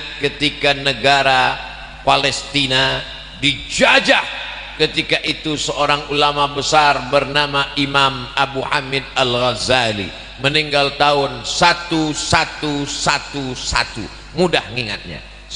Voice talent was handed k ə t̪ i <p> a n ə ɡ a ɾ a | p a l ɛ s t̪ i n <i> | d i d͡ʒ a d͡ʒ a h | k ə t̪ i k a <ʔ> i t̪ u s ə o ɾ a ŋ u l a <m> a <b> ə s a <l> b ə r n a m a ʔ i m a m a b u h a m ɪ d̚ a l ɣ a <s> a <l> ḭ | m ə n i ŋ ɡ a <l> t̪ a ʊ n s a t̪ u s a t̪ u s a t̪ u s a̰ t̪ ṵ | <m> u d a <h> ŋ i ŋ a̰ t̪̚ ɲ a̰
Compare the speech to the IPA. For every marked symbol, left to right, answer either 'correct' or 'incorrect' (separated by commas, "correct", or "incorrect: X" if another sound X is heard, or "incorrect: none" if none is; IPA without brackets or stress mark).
incorrect: k, incorrect: a, correct, correct, correct, incorrect: r, incorrect: z, correct, correct, correct, correct